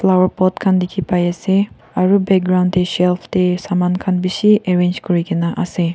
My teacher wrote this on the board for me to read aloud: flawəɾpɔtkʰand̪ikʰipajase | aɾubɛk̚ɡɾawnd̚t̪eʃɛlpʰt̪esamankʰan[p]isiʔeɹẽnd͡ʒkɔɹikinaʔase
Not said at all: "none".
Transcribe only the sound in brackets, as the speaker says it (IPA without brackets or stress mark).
b